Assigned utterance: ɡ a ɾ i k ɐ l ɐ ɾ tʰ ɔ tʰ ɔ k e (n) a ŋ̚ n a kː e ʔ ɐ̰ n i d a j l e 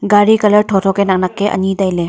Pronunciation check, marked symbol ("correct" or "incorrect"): correct